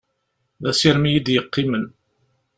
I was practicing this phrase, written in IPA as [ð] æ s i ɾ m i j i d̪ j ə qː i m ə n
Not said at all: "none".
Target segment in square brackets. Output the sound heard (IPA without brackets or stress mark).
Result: ð